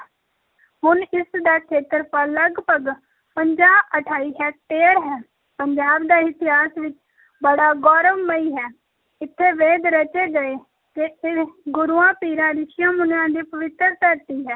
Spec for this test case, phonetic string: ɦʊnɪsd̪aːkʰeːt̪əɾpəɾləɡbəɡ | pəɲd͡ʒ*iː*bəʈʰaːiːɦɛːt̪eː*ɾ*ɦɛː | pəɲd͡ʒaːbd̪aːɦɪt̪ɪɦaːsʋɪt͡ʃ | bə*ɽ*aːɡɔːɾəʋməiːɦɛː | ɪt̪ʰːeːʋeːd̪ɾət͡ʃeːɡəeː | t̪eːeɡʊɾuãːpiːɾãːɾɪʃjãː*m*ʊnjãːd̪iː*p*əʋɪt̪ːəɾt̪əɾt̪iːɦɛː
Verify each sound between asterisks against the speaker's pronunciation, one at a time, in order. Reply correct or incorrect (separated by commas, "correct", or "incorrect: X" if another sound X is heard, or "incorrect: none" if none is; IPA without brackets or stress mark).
incorrect: aː, correct, correct, correct, correct